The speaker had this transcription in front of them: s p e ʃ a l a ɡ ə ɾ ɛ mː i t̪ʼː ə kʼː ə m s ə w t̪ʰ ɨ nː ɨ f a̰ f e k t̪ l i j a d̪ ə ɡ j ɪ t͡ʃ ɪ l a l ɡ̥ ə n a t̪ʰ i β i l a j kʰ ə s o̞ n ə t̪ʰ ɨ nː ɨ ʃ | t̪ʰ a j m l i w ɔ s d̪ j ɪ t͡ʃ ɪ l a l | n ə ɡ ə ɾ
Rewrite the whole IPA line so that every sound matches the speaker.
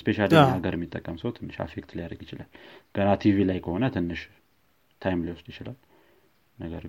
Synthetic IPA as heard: s p e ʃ a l a ɡ ə ɾ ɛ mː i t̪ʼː ə kʼː ə m s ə w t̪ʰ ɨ nː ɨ ʃ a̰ f e k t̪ l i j a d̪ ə ɡ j ɪ t͡ʃ ɪ l a l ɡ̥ ə n a t̪ʰ i v i l a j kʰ ə h o̞ n ə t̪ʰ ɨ nː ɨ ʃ | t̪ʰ a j m l i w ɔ s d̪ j ɪ t͡ʃ ɪ l a l | n ə ɡ ə ɾ